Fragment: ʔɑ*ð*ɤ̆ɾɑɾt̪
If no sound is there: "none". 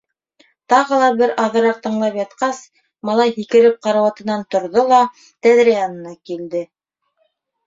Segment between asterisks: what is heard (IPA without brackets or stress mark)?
ð